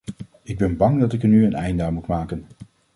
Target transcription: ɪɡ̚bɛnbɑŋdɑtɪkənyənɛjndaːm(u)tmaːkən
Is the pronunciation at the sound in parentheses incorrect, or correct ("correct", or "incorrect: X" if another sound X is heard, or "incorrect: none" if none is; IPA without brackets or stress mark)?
correct